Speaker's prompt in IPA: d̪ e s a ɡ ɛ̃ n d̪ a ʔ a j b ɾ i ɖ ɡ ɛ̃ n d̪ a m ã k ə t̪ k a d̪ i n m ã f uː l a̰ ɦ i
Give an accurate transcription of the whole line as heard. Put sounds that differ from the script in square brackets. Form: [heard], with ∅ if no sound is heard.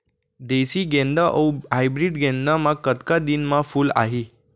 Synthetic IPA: d̪ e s [i] ɡ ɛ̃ n d̪ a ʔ a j b ɾ i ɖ ɡ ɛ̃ n d̪ a m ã k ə t̪ k a d̪ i n m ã f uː l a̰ ɦ i